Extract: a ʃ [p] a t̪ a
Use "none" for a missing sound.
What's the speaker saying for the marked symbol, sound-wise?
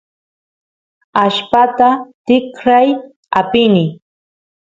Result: p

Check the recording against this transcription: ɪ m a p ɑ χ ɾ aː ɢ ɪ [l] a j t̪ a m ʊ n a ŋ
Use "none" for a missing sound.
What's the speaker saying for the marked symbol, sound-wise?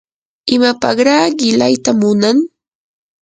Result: l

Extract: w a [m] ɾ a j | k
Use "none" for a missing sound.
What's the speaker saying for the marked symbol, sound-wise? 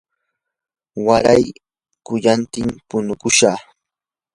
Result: none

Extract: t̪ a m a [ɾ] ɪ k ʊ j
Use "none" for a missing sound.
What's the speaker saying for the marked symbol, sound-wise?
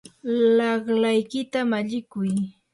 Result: ʎ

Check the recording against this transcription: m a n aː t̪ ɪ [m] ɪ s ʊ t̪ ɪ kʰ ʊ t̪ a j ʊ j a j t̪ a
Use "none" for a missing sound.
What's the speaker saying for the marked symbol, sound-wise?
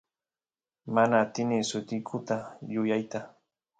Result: n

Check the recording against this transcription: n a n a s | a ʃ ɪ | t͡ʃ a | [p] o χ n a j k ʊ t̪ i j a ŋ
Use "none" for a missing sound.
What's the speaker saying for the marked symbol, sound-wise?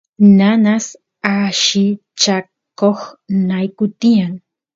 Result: k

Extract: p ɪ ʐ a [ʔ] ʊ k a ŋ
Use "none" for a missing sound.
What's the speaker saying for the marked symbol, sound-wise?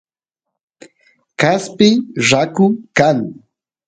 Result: k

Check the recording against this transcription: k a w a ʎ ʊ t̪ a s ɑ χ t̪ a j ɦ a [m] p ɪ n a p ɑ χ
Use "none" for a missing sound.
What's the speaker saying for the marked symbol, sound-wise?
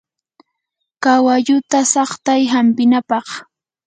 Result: m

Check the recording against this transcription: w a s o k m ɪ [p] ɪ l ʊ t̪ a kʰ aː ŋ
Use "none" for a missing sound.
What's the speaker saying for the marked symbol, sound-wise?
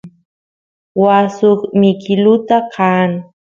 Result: k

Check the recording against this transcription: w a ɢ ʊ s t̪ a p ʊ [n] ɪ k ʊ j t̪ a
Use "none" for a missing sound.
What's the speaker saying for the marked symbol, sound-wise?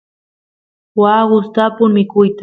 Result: m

